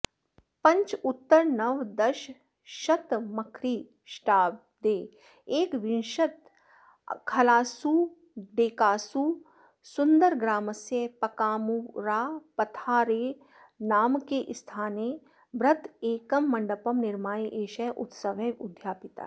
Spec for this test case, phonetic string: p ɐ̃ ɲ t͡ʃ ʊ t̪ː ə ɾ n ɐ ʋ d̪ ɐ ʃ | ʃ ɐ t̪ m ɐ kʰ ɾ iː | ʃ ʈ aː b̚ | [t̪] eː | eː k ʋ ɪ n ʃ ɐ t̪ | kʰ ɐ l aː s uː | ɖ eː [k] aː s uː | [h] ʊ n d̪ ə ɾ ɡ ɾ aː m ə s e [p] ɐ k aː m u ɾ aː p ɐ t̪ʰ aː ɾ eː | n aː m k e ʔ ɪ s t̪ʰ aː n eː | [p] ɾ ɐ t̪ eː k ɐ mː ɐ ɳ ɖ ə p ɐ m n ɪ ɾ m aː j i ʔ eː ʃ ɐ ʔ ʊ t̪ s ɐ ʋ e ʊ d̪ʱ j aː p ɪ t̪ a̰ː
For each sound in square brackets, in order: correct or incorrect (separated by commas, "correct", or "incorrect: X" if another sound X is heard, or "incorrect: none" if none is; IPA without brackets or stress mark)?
incorrect: d̪, correct, incorrect: s, correct, incorrect: b